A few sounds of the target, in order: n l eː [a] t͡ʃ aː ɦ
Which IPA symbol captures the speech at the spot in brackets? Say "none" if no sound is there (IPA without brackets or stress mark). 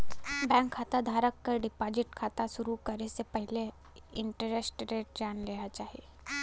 a